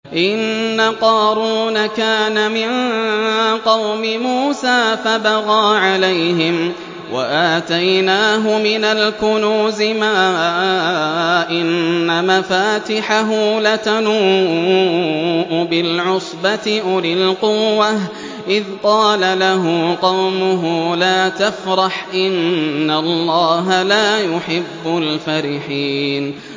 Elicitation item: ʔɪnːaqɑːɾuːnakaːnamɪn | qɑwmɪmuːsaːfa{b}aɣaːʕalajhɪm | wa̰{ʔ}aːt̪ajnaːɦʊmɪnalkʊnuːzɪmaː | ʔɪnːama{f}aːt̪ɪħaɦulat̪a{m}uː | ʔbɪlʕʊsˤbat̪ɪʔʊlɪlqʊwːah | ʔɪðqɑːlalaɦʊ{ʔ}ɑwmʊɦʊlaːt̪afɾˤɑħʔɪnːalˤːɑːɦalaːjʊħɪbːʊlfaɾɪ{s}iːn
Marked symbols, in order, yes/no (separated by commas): yes, yes, yes, no, no, no